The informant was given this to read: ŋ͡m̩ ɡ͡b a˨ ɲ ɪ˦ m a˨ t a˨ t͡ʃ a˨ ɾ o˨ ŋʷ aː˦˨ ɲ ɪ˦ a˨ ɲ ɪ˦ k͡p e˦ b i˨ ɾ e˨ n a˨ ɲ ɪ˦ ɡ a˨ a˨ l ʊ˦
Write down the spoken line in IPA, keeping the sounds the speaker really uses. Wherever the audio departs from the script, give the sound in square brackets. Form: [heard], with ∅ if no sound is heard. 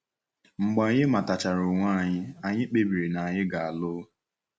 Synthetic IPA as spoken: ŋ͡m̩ ɡ͡b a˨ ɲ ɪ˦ m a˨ t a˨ t͡ʃ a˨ ɾ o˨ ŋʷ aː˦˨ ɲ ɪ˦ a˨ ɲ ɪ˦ k͡p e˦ b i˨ ɾ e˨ n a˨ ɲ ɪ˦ ɡ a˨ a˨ l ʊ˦